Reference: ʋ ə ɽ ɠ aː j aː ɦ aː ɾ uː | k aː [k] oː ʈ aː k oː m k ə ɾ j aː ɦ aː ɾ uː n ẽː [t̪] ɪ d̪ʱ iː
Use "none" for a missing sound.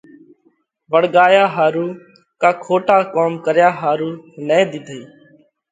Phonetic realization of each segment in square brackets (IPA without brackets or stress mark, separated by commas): kʰ, d̪